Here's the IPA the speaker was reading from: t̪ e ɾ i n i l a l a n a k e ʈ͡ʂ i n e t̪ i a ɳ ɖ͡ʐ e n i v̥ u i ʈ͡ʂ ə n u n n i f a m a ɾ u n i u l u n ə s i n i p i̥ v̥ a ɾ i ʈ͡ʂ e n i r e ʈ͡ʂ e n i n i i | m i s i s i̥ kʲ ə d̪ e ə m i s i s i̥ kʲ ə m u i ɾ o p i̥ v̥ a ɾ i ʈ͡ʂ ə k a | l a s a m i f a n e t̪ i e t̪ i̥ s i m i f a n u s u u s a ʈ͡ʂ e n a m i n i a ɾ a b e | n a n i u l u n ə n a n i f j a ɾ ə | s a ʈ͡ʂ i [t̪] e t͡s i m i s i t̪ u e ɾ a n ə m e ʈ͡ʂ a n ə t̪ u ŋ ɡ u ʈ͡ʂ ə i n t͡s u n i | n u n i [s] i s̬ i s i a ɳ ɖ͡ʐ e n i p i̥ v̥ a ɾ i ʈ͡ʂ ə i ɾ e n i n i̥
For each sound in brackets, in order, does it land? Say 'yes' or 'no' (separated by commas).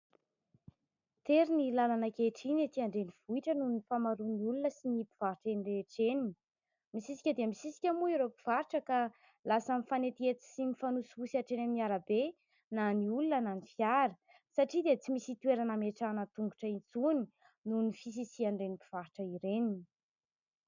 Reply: no, no